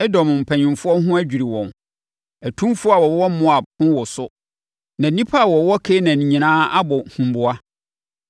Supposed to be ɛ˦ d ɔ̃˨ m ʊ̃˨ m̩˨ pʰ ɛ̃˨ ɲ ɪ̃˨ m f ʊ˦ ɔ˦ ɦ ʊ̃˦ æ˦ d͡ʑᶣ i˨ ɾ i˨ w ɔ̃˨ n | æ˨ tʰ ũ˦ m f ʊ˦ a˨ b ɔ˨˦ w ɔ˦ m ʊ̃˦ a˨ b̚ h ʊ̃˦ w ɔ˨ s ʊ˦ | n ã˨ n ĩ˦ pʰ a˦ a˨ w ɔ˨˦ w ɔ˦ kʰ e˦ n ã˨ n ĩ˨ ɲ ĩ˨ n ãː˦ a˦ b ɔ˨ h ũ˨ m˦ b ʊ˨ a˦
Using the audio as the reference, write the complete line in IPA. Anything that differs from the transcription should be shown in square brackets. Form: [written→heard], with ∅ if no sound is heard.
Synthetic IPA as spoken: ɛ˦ d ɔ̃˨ m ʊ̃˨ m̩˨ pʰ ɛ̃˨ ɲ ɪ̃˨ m f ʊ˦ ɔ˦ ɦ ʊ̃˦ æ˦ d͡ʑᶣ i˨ ɾ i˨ w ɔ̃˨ n | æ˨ tʰ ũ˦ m f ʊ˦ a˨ [b→w] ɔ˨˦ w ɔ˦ m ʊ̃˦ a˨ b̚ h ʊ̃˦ w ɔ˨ s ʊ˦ | n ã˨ n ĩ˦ pʰ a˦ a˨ w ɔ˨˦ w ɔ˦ kʰ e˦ n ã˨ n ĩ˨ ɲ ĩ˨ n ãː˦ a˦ b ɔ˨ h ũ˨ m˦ b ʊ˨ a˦